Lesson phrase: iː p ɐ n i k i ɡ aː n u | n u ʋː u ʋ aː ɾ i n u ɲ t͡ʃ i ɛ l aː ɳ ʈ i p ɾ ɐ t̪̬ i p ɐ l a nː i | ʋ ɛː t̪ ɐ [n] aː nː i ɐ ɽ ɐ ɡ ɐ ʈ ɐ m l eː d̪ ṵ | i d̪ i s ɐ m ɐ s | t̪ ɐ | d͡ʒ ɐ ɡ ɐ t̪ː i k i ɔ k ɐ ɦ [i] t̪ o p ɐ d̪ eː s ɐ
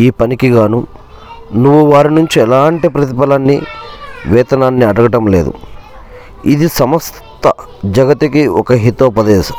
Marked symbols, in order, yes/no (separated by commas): yes, yes